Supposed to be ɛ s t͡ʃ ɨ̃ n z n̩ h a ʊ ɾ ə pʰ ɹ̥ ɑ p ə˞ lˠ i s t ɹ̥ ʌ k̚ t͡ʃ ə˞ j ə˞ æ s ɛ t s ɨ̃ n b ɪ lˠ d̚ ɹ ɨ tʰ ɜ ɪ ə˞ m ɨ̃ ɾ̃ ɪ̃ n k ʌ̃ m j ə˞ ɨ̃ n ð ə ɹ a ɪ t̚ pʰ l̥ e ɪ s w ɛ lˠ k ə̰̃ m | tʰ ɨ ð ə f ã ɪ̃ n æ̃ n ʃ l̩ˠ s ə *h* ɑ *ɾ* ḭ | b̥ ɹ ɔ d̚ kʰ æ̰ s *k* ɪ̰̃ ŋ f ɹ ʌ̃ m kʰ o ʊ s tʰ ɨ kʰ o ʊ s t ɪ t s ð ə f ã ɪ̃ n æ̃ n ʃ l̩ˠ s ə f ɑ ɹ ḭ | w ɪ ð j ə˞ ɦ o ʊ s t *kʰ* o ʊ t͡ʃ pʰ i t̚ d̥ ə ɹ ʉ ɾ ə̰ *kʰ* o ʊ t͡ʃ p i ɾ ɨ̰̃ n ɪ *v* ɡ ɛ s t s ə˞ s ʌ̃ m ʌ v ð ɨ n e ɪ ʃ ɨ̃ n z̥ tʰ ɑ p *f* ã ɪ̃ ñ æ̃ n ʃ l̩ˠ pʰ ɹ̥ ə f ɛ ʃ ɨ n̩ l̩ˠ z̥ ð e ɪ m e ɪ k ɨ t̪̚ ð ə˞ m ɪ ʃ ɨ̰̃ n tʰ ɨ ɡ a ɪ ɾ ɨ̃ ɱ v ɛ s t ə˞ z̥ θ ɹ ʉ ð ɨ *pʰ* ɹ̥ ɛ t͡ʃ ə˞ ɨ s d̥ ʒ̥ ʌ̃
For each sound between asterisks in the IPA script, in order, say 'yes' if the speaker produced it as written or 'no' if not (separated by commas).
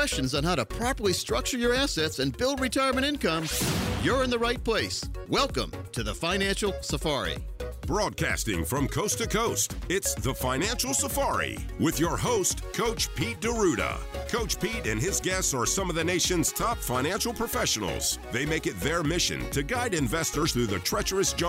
no, no, no, yes, yes, no, yes, no